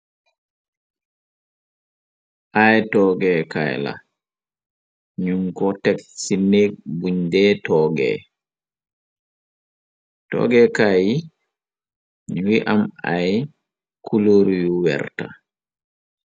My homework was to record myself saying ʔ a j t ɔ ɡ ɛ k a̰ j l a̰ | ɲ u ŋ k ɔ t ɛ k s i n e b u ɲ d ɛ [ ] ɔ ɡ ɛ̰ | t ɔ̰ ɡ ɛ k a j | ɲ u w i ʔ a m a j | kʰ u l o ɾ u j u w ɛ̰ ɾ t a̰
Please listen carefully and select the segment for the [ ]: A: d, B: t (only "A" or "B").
B